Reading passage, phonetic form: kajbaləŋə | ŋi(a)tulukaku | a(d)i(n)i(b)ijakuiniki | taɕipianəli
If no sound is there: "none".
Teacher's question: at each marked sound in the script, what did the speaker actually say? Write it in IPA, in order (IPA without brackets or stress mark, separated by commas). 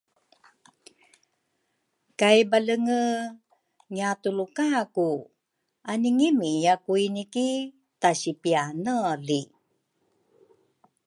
a, n, ŋ, m